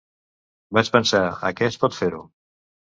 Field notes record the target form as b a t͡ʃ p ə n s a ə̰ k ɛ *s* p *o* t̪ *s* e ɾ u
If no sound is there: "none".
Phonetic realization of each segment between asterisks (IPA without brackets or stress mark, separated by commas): s, ɔ, f